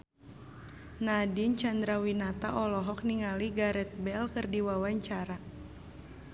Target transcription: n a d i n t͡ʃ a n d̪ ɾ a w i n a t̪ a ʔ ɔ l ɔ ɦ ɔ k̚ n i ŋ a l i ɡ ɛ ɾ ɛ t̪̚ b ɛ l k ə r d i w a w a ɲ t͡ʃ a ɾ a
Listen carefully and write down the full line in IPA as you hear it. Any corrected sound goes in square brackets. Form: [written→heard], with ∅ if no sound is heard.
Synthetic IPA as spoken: n a d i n t͡ʃ a n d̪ ɾ a w i n a t̪ a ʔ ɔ l ɔ ɦ ɔ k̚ n i ŋ a l i ɡ [ɛ→a] ɾ ɛ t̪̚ b ɛ l k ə r d i w a w a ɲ t͡ʃ a ɾ a